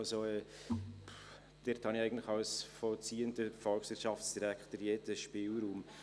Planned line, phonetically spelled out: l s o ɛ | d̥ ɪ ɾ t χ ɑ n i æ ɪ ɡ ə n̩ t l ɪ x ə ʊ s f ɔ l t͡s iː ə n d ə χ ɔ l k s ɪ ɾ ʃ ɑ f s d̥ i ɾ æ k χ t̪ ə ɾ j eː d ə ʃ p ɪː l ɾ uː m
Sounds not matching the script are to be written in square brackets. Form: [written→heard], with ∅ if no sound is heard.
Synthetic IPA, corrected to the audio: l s o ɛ | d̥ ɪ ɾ t [χ→h] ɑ n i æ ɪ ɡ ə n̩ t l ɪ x [ə→ɑ] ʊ s f ɔ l t͡s iː ə n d ə [χ→f] ɔ l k s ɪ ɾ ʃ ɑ f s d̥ i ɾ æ k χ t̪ ə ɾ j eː d ə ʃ p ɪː l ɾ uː m